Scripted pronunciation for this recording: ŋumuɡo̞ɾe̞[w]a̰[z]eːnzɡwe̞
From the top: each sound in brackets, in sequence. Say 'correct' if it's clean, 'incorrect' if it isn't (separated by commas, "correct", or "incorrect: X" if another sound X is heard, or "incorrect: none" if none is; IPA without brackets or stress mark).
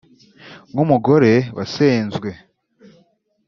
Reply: correct, incorrect: s